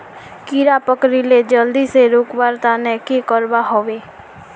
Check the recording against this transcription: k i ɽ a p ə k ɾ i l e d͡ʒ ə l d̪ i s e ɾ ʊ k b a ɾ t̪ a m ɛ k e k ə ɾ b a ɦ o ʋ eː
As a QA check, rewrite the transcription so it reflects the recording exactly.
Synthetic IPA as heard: k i ɾ a p ə k ɾ i l e d͡ʒ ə l d̪ i s e ɾ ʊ k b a ɾ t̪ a n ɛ k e k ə ɾ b a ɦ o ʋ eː